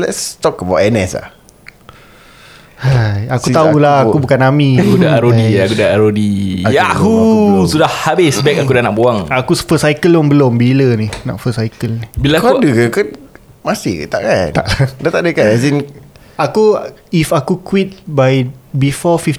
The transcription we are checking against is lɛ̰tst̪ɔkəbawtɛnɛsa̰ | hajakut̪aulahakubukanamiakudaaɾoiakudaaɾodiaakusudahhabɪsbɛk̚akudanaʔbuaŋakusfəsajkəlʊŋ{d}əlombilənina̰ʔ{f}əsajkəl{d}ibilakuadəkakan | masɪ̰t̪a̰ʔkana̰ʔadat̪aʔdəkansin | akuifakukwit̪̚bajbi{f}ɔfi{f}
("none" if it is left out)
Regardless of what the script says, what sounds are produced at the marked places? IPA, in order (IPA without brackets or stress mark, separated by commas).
b, f, n, f, f